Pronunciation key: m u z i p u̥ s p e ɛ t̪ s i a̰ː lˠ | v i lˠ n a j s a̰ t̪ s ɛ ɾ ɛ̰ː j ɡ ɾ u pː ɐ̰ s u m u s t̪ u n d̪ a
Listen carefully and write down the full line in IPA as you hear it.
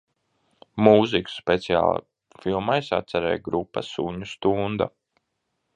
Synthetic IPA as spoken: m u z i k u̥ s p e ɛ t̪ s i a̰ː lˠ | f i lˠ m a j s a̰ t̪ s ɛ ɾ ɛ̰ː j ɡ ɾ u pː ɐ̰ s u ɲ u s t̪ u n d̪ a